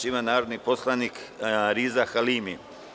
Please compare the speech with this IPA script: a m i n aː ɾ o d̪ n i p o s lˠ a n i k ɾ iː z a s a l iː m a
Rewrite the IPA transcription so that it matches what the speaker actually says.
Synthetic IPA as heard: i m a n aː ɾ o d̪ n i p o s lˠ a n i k ɾ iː z a x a l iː m i